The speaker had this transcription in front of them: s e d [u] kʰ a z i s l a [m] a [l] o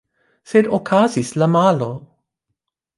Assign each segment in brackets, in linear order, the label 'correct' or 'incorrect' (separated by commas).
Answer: incorrect, correct, correct